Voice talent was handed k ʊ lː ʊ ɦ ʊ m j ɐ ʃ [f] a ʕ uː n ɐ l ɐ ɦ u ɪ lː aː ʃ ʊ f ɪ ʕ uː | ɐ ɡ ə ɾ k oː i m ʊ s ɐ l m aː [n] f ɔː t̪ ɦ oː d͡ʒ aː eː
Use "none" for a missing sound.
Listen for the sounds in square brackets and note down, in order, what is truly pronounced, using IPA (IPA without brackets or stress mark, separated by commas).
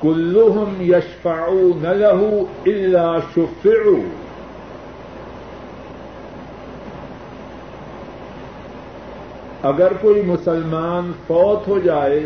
f, n